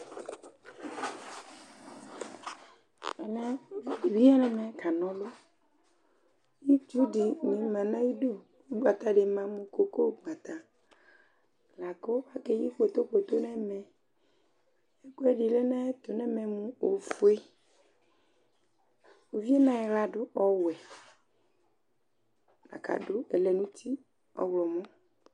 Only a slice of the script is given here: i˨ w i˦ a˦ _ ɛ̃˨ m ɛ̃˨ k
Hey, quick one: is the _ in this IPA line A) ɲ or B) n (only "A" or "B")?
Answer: B